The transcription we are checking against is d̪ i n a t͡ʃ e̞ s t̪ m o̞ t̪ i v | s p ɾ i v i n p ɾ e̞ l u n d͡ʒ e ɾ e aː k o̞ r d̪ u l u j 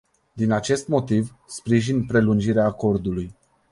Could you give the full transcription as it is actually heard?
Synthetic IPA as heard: d̪ i n a t͡ʃ e̞ s t̪ m o̞ t̪ i v | s p ɾ i ʒ i n p ɾ e̞ l u n d͡ʒ i ɾ e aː k o̞ r d̪ u l u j